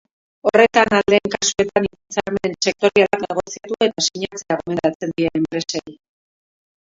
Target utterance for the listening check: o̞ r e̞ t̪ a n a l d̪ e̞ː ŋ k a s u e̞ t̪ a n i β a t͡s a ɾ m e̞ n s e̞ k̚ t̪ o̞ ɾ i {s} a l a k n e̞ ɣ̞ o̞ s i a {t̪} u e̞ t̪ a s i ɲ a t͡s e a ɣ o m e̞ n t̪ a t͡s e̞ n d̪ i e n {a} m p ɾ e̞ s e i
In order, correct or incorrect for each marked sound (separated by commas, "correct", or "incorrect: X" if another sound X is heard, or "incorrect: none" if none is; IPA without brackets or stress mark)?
incorrect: none, correct, incorrect: e